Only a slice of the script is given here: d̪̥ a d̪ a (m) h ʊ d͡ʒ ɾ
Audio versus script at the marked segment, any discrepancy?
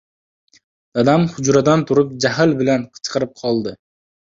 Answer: no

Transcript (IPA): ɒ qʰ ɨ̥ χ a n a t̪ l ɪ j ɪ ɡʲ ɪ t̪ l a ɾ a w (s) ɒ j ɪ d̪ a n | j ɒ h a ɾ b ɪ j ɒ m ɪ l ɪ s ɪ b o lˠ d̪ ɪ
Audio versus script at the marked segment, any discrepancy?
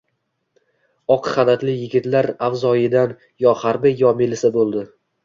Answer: yes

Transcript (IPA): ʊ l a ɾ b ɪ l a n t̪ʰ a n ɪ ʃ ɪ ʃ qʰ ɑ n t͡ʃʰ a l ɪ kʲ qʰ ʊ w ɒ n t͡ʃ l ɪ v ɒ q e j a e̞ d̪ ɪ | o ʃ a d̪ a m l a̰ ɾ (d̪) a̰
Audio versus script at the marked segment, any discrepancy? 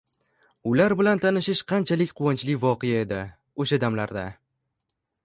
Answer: no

